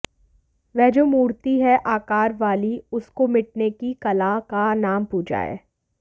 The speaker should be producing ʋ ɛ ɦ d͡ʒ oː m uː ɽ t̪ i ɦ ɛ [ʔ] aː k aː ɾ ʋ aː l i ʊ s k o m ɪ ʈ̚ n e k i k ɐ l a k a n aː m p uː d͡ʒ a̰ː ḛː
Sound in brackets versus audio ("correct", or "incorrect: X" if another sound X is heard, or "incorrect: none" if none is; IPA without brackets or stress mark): correct